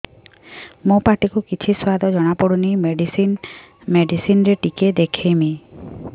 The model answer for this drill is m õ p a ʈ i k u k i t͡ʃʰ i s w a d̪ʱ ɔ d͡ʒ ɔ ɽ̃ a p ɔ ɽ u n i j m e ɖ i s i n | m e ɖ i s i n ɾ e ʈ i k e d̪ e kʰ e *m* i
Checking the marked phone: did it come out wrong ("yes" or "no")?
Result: no